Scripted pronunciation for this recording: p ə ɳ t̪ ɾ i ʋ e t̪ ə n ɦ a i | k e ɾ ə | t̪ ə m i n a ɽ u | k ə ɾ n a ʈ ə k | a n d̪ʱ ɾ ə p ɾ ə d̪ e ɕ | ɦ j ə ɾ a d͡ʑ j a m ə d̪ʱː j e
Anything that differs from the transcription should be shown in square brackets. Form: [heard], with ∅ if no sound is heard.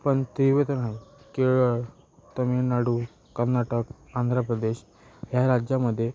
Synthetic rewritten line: p ə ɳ t̪ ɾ i ʋ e t̪ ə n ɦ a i | k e [ɭ] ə | t̪ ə m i n a ɽ u | k ə ɾ n a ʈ ə k | a n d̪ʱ ɾ ə p ɾ ə d̪ e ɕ | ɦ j [a] ɾ a d͡ʑ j a m ə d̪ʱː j e